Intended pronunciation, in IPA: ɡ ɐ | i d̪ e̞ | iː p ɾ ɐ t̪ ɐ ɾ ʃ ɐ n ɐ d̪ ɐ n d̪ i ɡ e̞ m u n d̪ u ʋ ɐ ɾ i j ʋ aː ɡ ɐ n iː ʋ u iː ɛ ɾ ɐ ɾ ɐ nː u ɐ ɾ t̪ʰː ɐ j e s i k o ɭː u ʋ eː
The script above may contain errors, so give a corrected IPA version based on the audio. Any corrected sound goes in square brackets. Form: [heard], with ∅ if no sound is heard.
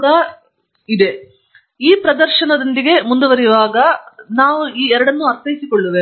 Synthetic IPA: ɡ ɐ | i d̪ e̞ | iː p ɾ ɐ [d̪] ɐ ɾ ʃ ɐ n ɐ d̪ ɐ n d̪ i ɡ e̞ m u n d̪ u ʋ ɐ ɾ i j ʋ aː ɡ ɐ n [aː] ʋ u iː ɛ ɾ ɐ [ɽ] ɐ nː u ɐ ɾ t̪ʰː ɐ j [i] s i k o ɭː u ʋ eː